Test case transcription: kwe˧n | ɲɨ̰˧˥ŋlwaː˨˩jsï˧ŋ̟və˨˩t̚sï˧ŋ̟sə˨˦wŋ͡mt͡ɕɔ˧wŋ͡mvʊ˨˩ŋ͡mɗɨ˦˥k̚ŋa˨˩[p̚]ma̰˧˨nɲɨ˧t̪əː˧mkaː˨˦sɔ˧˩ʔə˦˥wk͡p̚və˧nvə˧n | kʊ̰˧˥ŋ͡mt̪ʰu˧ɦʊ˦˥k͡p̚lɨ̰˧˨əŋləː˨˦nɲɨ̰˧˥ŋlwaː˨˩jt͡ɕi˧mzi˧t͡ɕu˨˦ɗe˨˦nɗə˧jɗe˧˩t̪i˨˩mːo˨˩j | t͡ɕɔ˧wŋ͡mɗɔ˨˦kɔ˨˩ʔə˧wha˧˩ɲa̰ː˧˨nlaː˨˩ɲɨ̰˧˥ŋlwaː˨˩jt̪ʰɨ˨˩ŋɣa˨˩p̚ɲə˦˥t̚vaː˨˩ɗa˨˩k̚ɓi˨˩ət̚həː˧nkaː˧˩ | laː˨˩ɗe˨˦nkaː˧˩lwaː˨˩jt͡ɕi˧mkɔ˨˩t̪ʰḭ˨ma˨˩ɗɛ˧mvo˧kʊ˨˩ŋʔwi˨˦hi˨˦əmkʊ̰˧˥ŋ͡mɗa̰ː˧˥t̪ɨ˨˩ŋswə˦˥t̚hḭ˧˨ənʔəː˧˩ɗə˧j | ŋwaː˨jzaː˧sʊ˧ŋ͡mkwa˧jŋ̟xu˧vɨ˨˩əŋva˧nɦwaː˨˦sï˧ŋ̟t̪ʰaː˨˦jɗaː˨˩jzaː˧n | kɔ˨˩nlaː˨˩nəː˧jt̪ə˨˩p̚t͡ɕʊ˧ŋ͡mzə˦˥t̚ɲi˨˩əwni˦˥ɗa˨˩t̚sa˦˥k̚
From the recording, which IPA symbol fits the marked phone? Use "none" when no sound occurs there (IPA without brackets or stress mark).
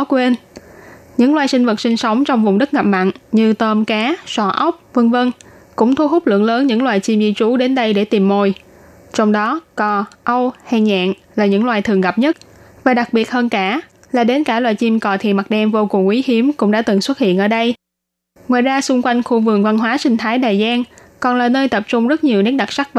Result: p̚